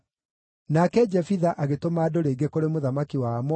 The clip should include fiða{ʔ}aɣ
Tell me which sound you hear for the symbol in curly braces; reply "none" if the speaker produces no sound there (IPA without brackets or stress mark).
ʔ